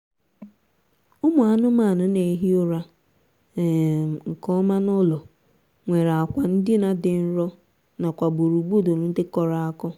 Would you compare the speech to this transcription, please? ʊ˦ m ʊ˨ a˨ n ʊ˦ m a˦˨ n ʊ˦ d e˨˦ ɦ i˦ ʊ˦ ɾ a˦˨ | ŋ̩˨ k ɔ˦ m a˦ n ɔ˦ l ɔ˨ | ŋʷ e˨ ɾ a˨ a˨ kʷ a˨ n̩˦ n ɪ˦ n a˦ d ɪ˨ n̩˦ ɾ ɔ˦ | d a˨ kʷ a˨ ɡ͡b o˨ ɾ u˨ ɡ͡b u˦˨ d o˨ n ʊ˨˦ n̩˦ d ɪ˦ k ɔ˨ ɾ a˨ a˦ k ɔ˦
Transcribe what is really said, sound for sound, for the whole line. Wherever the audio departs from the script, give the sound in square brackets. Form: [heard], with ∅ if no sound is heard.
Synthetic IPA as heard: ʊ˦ m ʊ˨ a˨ n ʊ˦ m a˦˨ n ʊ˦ [n] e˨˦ ɦ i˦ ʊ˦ ɾ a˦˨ | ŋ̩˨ k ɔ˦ m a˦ n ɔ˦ l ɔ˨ | ŋʷ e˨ ɾ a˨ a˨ kʷ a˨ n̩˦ [d] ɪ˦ n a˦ d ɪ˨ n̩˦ ɾ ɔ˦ | [n] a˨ kʷ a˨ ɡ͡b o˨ ɾ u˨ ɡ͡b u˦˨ d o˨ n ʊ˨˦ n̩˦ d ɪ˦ k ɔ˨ ɾ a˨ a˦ k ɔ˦

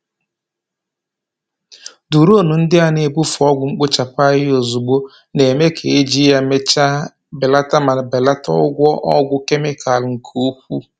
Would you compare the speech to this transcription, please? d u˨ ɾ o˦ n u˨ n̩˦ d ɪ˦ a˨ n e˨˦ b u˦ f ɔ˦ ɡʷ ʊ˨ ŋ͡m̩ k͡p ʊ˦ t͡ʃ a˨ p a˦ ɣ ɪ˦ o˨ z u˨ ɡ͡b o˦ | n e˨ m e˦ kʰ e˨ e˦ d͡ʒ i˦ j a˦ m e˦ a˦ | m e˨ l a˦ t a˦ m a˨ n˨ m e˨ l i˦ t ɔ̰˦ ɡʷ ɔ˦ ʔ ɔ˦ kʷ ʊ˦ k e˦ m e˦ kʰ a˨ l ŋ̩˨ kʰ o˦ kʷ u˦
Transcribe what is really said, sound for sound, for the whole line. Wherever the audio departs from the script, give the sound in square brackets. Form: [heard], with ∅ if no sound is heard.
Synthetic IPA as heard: d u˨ ɾ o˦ n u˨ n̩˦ d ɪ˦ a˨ n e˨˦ b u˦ f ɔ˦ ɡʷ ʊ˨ ŋ͡m̩ k͡p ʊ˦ t͡ʃ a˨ p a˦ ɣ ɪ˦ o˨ z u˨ ɡ͡b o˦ | n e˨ m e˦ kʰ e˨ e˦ d͡ʒ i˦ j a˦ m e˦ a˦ | [b] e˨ l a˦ t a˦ m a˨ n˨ [b] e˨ l [a˦] t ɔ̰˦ ɡʷ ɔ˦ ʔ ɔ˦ [ɡʷ] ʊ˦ k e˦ m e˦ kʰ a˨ l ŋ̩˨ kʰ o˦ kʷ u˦

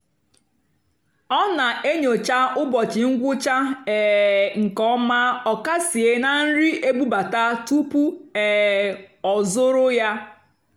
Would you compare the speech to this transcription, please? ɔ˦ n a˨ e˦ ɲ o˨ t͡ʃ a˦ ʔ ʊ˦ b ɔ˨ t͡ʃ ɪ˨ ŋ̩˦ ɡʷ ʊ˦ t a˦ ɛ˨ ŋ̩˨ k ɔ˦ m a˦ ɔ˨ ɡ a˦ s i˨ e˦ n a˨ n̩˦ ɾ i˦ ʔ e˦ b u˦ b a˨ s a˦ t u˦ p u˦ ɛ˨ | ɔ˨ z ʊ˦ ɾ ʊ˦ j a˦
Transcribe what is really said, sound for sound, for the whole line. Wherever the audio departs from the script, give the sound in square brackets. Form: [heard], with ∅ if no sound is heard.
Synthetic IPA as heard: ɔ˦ n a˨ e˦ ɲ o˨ t͡ʃ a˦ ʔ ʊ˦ b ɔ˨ t͡ʃ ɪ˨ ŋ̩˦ ɡʷ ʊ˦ [t͡ʃ] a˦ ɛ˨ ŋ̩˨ k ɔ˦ m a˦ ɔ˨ [k] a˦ s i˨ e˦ n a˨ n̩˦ ɾ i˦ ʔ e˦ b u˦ b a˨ [t] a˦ t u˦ p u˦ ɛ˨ | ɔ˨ z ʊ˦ ɾ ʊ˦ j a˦

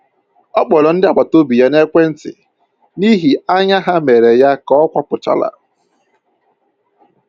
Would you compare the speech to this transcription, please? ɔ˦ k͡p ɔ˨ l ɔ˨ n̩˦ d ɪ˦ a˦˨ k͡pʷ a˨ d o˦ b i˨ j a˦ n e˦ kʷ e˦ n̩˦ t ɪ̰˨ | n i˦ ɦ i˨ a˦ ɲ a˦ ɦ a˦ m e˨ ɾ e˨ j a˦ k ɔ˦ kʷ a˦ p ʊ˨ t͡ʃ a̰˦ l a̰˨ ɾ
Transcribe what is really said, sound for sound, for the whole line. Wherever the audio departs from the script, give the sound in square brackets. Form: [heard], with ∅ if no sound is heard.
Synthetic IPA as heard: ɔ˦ k͡p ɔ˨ l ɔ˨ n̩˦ d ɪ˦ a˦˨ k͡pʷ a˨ [t] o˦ b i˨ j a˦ n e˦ kʷ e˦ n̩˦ t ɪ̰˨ | n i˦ ɦ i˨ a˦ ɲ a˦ ɦ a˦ m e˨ ɾ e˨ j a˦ k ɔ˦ kʷ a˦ p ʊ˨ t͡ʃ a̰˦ l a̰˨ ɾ

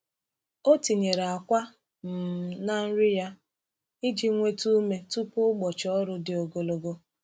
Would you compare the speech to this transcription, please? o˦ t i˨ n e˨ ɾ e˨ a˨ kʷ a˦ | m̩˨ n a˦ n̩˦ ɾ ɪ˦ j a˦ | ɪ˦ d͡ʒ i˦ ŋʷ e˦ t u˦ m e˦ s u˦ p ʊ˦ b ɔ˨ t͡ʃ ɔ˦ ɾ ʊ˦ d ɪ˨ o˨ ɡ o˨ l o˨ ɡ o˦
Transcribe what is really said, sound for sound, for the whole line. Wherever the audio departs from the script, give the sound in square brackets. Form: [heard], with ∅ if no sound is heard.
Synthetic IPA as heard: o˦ t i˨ [ɲ] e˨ ɾ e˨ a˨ kʷ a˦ | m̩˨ n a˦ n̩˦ ɾ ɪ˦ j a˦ | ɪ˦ d͡ʒ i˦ ŋʷ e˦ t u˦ m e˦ [t] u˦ p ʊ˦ [ɡ͡b] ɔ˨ t͡ʃ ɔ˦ ɾ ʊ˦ d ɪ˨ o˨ ɡ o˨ l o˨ ɡ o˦

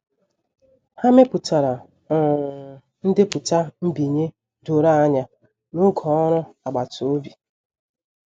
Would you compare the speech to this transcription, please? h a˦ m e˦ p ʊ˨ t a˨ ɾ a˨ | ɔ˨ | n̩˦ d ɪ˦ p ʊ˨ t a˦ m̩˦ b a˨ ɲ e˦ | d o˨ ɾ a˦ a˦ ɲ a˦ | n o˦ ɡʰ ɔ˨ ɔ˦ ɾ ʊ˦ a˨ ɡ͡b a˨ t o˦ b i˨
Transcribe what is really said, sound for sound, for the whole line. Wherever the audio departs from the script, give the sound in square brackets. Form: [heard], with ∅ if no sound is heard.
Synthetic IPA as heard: h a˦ m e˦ p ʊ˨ t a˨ ɾ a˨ | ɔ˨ | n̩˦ d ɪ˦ p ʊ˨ t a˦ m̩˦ b [i˨] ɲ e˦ | d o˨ ɾ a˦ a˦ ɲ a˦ | n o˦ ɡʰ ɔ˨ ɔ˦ ɾ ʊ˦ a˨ ɡ͡b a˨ t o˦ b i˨

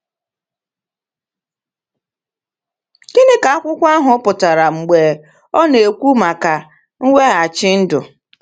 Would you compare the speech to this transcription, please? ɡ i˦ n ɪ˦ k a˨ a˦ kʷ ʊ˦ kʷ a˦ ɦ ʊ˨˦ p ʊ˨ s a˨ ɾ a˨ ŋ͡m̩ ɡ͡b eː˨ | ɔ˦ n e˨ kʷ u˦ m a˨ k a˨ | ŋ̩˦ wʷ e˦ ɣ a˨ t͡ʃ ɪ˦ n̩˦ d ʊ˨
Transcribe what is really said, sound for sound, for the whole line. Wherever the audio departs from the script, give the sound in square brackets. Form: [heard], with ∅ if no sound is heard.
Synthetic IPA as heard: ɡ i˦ n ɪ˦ k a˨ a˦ kʷ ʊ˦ kʷ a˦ ɦ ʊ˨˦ p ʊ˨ [t] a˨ ɾ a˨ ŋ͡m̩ ɡ͡b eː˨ | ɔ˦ n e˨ kʷ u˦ m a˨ k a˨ | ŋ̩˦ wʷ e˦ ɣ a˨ t͡ʃ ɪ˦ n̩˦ d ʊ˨

